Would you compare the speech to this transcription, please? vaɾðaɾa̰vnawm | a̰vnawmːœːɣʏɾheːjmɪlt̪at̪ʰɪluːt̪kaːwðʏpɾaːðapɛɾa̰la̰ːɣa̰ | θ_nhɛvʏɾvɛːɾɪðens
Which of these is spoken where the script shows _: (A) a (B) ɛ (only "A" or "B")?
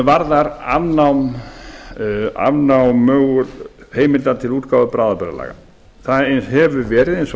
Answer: A